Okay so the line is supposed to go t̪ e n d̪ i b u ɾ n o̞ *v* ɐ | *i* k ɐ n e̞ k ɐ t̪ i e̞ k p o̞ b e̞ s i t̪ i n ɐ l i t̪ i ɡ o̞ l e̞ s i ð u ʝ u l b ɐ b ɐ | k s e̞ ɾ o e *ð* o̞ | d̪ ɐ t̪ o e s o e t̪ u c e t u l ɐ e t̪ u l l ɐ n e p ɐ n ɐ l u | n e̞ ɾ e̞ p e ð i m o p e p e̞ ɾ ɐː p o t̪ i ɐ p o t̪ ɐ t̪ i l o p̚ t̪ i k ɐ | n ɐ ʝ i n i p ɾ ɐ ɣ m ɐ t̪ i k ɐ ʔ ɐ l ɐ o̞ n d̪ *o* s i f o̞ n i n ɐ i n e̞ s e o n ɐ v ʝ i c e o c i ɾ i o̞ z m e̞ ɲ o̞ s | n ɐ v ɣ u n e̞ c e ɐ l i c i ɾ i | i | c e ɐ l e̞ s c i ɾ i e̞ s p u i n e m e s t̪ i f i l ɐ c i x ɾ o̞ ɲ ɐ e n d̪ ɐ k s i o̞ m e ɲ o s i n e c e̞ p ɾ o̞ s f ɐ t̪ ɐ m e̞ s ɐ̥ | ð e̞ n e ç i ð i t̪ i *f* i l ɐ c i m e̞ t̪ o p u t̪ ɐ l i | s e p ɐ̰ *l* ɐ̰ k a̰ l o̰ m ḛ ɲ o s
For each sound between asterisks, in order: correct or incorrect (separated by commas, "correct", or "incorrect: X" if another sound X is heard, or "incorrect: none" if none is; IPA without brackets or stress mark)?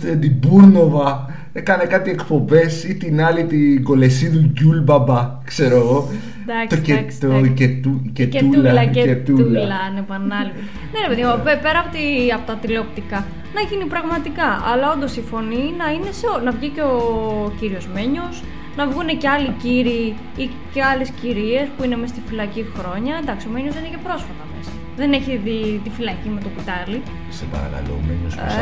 correct, incorrect: e, incorrect: ɣ, correct, correct, incorrect: ɾ